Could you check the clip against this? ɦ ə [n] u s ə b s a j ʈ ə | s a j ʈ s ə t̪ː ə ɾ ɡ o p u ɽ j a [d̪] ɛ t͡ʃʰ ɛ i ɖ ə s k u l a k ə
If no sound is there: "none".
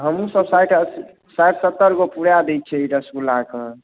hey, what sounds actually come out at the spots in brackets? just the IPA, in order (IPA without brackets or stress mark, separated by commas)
m, d̪